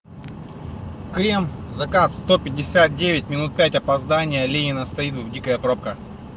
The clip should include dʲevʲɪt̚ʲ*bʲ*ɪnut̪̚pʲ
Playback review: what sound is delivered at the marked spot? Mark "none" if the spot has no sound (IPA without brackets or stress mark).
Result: mʲ